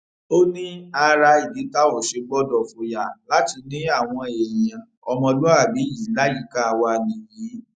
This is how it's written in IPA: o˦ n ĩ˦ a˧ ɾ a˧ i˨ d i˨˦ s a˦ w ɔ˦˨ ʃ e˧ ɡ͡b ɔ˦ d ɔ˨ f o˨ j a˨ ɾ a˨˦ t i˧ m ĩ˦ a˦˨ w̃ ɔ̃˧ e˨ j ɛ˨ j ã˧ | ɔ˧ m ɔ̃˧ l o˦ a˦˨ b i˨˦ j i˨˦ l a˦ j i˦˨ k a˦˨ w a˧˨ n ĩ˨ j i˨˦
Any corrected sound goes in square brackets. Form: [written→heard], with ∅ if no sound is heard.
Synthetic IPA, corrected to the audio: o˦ n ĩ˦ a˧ ɾ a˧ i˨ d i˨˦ [s→t] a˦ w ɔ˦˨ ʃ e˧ ɡ͡b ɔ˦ d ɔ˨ f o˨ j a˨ [ɾ→l] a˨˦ t i˧ [m→n] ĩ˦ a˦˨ w̃ ɔ̃˧ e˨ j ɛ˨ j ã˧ | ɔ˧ m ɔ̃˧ l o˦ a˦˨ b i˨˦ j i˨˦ l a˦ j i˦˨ k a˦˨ w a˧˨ n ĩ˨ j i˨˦